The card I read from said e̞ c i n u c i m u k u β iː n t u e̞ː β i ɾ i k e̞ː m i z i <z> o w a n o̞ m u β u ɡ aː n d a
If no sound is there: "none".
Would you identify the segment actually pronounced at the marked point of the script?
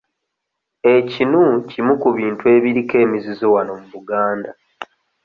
z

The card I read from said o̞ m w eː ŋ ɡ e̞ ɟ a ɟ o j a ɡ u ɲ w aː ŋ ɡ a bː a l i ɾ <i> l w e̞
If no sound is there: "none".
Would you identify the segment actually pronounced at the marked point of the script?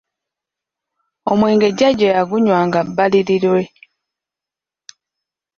i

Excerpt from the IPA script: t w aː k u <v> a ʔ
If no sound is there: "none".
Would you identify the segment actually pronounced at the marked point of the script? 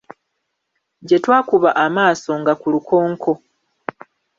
β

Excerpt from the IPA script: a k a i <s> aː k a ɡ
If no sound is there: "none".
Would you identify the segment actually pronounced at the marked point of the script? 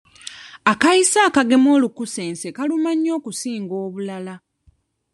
s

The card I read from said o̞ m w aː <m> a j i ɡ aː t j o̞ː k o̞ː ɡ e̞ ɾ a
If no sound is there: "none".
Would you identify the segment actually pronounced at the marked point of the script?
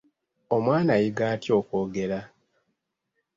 n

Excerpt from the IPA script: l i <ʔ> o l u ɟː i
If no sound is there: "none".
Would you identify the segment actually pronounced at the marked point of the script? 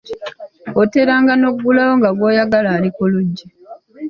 k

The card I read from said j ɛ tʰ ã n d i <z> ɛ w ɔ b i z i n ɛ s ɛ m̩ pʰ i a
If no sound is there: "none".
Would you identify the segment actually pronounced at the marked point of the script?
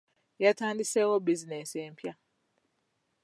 s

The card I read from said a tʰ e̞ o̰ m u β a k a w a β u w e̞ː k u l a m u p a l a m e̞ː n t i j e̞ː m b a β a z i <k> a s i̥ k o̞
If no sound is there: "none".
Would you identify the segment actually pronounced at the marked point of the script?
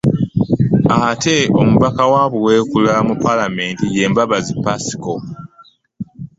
p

